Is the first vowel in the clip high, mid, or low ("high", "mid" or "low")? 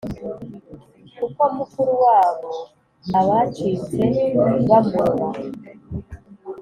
high